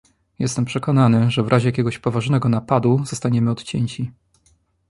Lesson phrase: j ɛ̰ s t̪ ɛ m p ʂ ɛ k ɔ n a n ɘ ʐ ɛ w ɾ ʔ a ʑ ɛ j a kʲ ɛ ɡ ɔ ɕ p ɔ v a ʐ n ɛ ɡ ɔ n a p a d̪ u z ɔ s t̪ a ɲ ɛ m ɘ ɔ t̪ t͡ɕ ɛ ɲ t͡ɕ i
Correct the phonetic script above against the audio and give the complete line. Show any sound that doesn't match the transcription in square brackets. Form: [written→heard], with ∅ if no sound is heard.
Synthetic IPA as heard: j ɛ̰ s t̪ ɛ m p ʂ ɛ k ɔ n a n ɘ ʐ ɛ [w→v] ɾ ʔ a ʑ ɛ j a kʲ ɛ ɡ ɔ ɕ p ɔ v a ʐ n ɛ ɡ ɔ n a p a d̪ u z ɔ s t̪ a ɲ ɛ m ɘ ɔ t̪ t͡ɕ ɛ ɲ t͡ɕ i